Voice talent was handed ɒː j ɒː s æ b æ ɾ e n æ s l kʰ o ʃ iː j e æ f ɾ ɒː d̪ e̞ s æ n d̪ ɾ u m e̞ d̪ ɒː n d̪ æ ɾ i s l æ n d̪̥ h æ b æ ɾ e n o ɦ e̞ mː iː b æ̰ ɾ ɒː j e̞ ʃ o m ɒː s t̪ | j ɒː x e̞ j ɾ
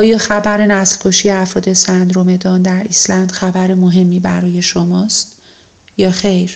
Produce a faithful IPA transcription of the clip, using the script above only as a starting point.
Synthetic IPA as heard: ɒː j ɒː x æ b æ ɾ e n æ s l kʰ o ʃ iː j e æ f ɾ ɒː d̪ e̞ s æ n d̪ ɾ o m e̞ d̪ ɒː n d̪ æ ɾ i s l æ n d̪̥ x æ b æ ɾ e m o ɦ e̞ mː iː b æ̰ ɾ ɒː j e̞ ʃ o m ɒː s t̪ | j ɒː x e̞ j ɾ